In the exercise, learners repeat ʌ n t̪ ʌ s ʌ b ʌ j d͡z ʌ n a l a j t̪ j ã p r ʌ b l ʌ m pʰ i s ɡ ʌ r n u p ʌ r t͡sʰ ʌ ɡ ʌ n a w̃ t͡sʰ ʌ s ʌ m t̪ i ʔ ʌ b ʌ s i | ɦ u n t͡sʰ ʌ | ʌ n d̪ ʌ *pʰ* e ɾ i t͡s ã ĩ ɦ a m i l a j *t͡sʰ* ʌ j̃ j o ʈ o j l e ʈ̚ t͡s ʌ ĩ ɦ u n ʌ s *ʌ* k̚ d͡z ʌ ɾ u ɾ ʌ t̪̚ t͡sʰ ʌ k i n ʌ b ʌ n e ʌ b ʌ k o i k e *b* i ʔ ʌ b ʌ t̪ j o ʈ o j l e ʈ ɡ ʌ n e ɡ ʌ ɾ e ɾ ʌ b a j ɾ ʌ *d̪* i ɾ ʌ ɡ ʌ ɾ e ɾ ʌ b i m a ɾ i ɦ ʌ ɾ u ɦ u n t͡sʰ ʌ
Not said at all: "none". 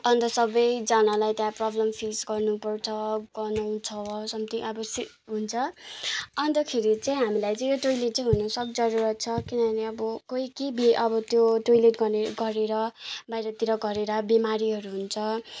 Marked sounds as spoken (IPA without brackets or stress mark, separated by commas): kʰ, t͡s, ʌ, b, t̪